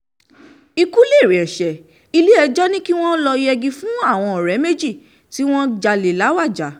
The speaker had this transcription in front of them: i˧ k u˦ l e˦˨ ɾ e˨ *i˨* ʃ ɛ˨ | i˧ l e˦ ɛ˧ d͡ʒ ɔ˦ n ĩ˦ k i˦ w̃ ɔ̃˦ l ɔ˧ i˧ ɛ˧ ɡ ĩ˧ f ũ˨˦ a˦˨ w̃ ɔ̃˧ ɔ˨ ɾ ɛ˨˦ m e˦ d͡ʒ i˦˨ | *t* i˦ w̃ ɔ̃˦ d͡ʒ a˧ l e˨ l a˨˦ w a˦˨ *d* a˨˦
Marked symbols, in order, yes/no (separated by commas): no, yes, no